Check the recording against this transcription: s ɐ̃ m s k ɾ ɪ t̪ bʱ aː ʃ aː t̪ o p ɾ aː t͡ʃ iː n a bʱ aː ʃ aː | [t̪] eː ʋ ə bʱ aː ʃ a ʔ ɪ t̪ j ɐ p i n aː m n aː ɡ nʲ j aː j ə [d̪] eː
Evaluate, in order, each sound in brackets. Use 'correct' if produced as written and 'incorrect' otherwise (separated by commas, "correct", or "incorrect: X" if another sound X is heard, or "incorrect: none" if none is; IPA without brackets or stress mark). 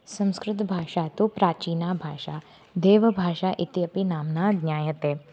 incorrect: d̪, incorrect: t̪